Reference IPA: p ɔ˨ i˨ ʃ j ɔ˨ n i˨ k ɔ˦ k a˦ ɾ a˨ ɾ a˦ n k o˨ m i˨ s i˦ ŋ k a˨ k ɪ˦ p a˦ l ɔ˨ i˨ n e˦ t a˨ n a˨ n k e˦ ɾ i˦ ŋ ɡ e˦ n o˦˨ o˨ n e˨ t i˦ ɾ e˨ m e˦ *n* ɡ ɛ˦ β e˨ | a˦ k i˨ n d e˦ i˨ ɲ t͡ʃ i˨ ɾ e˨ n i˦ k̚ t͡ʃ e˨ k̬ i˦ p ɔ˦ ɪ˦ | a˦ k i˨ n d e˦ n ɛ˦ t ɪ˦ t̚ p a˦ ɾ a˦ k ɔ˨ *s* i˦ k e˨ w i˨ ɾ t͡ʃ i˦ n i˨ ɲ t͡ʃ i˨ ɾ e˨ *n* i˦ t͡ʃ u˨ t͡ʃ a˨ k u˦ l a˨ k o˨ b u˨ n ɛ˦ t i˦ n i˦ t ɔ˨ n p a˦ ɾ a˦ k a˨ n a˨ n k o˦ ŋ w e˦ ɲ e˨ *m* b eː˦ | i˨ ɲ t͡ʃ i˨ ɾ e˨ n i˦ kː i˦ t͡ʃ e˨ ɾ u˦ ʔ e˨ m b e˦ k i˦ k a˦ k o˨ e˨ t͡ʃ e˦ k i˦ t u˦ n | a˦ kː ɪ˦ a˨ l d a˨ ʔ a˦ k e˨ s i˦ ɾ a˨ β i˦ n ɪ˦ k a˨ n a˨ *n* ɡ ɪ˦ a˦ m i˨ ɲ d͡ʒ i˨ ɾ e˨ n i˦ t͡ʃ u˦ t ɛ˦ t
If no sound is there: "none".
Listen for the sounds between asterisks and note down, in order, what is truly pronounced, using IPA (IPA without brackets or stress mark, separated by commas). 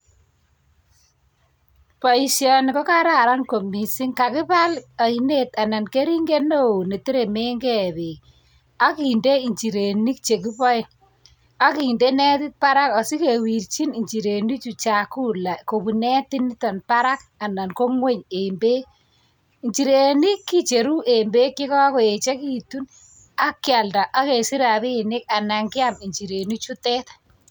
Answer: ŋ, s, n, m, ŋ